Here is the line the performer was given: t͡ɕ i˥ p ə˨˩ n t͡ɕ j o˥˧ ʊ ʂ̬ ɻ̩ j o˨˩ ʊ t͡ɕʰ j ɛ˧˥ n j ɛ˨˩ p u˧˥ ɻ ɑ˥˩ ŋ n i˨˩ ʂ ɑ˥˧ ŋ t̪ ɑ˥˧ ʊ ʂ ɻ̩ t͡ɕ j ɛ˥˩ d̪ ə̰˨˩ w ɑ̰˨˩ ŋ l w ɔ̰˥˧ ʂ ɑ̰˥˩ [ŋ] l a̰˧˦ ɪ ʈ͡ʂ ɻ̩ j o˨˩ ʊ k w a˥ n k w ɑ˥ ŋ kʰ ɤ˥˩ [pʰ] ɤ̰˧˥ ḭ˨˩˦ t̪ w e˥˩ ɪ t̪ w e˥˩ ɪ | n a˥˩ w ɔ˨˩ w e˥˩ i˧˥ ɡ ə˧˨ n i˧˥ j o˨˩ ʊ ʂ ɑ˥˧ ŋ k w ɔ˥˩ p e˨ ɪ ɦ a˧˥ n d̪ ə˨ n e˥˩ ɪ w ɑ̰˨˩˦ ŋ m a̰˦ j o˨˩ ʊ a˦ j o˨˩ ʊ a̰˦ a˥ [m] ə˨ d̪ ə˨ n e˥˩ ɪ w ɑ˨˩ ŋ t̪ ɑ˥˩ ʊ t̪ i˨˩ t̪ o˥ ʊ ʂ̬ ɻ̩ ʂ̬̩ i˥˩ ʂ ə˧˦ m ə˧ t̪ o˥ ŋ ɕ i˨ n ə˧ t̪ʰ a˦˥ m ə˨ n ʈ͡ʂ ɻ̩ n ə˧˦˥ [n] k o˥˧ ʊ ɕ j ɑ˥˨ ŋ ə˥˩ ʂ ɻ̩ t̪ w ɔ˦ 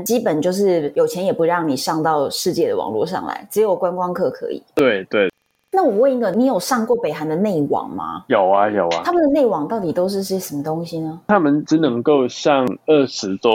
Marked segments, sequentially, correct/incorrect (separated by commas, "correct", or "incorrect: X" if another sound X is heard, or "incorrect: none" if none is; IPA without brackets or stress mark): correct, incorrect: kʰ, correct, incorrect: ŋ